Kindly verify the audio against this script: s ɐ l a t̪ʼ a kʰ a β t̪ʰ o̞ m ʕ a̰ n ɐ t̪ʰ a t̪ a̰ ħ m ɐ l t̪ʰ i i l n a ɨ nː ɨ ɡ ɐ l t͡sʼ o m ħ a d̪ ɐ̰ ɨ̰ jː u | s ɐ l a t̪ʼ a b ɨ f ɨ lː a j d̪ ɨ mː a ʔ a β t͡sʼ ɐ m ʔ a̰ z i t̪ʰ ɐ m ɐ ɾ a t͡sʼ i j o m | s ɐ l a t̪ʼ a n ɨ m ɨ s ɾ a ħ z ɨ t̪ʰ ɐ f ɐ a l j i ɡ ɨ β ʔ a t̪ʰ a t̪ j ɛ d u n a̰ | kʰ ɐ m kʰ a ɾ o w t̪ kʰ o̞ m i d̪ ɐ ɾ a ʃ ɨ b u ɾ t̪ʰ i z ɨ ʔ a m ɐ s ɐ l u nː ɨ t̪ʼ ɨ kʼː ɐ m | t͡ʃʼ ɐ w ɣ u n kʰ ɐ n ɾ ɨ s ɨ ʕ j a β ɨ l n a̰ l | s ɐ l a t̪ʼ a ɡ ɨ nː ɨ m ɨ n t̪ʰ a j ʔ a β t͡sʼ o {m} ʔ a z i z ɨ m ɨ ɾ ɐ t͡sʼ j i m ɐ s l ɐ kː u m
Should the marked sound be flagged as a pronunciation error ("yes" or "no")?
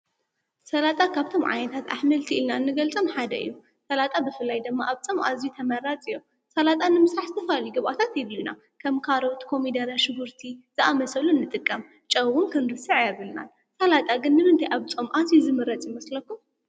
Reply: no